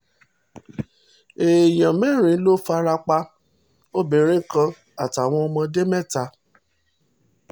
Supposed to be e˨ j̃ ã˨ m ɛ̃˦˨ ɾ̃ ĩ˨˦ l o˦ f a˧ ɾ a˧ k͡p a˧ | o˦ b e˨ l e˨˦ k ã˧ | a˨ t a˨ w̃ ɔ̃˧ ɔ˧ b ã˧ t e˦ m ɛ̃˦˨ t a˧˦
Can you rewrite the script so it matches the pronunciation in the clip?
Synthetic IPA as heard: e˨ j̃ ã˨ m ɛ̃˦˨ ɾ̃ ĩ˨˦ l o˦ f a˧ ɾ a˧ k͡p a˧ | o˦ b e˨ ɾ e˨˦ k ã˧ | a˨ t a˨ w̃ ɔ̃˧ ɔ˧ m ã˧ d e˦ m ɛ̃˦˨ t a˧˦